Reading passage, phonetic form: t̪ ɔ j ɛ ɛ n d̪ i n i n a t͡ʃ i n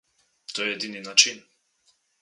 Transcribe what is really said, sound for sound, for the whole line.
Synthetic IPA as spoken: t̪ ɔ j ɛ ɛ d̪ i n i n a t͡ʃ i n

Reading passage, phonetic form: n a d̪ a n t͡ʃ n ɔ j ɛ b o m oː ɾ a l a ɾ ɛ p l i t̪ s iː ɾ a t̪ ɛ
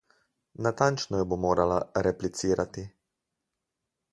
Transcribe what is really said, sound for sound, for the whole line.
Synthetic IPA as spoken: n a t̪ a n t͡ʃ n ɔ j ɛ b o m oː ɾ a l a ɾ ɛ p l i t̪ s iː ɾ a t̪ i

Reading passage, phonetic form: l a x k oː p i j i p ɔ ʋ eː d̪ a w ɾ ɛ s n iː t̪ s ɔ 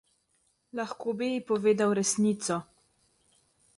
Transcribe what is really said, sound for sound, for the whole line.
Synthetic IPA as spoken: l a x k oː b i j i p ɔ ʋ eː d̪ a w ɾ ɛ s n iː t̪ s ɔ

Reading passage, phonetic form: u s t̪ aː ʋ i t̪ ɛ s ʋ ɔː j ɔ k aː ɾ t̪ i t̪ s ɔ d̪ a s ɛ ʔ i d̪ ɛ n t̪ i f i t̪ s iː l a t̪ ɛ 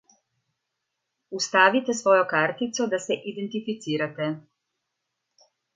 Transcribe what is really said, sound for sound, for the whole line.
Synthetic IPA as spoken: u s t̪ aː ʋ i t̪ ɛ s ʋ ɔː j ɔ k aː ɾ t̪ i t̪ s ɔ d̪ a s ɛ ʔ i d̪ ɛ n t̪ i f i t̪ s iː ɾ a t̪ ɛ

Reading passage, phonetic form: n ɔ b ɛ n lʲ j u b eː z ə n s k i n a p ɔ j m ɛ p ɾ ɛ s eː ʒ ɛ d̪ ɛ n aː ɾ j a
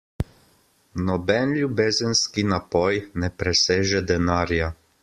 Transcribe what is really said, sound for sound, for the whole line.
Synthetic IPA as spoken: n ɔ b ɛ n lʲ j u b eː z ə n s k i n a p ɔ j n ɛ p ɾ ɛ s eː ʒ ɛ d̪ ɛ n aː ɾ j a

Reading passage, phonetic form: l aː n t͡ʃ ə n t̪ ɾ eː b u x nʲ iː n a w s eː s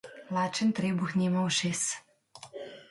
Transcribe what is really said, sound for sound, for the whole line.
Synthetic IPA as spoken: l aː t͡ʃ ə n t̪ ɾ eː b u x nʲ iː m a w ʃ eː s

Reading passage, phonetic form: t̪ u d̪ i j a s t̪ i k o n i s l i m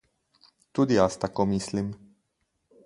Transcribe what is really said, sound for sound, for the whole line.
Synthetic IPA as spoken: t̪ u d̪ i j a s t̪ a k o m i s l i m

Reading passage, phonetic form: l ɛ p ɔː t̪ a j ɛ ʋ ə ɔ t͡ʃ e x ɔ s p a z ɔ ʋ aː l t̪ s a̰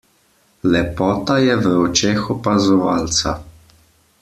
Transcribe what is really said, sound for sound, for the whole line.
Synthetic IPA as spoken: l ɛ p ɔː t̪ a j ɛ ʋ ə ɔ t͡ʃ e x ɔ p a z ɔ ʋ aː l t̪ s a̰

